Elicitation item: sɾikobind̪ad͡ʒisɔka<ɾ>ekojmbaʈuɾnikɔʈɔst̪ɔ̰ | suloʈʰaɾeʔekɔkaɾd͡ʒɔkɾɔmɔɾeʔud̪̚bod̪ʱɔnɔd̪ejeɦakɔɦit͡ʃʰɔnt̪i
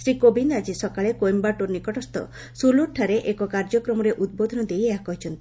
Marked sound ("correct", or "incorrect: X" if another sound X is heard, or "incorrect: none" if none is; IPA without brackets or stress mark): incorrect: ɭ